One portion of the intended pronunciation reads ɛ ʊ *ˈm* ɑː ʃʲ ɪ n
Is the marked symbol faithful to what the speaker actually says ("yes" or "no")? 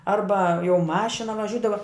yes